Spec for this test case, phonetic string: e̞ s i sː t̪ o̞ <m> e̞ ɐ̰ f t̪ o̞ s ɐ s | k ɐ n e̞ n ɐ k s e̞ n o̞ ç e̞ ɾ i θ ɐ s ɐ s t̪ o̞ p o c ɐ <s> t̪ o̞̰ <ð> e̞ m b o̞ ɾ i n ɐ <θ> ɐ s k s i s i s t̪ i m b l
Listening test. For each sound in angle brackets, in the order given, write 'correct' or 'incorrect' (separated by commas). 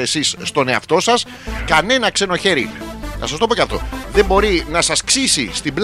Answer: incorrect, incorrect, correct, incorrect